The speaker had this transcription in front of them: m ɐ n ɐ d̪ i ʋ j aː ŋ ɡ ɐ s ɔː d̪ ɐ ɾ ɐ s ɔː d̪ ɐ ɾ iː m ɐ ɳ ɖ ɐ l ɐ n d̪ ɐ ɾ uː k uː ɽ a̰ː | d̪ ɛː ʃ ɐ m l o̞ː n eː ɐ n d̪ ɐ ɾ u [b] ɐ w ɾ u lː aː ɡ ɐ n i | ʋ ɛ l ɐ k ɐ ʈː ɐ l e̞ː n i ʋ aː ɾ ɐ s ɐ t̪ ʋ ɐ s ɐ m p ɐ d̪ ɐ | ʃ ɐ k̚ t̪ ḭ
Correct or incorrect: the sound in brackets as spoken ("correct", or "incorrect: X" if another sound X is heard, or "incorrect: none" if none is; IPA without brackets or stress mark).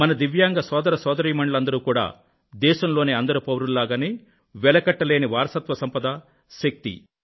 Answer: incorrect: p